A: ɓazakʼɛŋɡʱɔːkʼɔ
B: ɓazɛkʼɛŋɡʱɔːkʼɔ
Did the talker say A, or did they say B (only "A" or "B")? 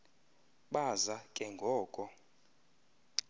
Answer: A